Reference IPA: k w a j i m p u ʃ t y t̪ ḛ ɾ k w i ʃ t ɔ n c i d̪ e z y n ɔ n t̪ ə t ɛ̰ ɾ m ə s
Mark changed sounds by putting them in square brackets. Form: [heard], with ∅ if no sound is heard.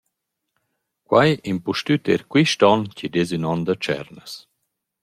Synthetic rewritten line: k w a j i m p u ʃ t y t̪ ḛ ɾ k w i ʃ t ɔ n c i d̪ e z y n ɔ n [d̪] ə [t͡ʃ] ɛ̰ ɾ [n] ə s